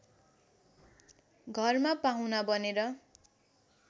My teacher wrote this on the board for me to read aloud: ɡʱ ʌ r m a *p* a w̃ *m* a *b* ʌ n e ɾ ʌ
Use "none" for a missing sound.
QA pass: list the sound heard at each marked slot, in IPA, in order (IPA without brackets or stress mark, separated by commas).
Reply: p, n, b